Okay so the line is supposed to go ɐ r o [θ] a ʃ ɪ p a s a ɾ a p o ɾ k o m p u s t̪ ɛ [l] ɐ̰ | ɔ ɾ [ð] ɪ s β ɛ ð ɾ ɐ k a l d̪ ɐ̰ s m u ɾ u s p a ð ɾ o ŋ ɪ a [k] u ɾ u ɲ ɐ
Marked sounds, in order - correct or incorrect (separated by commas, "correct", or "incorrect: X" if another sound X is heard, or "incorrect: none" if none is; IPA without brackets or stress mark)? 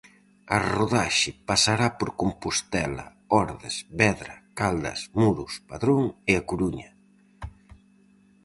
incorrect: ð, correct, correct, correct